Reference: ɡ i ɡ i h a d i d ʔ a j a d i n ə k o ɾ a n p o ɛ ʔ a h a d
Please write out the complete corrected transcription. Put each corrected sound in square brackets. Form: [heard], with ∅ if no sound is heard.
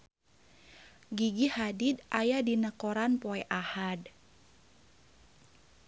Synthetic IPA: ɡ i ɡ i h a d i d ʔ a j a d i n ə k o ɾ a n p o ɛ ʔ a h a d